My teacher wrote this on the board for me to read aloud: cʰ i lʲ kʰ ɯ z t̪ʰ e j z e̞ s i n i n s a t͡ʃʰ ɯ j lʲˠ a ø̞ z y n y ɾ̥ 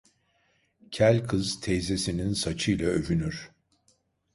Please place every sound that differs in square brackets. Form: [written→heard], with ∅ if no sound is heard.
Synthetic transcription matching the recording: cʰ [i→æ] lʲ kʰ ɯ z t̪ʰ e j z e̞ s i n i n s a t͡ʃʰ ɯ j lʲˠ a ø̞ [z→v] y n y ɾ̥